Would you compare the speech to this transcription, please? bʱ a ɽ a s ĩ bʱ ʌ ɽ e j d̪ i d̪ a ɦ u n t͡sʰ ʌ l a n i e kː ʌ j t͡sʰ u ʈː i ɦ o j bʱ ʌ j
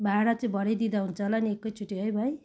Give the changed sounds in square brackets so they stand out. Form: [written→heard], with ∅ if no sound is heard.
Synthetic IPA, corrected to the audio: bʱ a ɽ a [s→t͡s] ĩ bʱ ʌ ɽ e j d̪ i d̪ a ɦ u n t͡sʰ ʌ l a n i e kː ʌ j t͡sʰ u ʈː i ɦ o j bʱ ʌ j